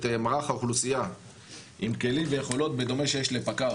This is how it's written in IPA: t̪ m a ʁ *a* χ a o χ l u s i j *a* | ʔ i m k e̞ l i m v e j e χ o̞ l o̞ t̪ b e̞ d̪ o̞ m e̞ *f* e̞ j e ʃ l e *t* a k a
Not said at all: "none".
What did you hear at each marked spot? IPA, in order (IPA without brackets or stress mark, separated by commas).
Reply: a, a, ʃ, p